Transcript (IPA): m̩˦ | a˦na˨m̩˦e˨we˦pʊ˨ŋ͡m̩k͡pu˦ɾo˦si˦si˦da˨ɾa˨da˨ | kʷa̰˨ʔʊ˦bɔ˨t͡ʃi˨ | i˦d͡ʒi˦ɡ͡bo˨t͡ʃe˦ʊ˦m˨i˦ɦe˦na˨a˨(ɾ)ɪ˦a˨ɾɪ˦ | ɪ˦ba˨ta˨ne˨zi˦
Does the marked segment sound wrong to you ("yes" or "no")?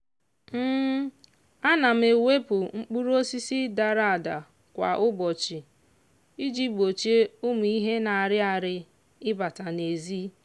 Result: no